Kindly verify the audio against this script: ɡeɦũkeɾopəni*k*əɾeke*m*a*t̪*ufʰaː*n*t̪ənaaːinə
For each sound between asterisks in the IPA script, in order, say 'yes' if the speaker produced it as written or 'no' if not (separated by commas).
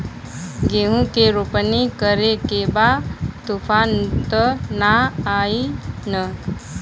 yes, no, yes, yes